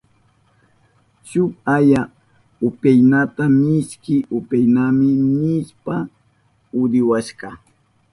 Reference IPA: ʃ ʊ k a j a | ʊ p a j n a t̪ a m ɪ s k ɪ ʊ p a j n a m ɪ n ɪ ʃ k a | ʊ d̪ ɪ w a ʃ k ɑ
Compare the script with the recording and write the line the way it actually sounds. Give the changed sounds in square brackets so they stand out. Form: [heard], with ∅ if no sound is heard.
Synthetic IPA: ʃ ʊ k a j a | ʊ p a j n a t̪ a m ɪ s k ɪ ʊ p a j n a m ɪ n ɪ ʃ [p] a | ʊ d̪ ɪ w a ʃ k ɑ